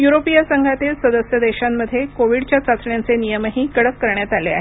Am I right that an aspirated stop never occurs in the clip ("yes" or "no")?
yes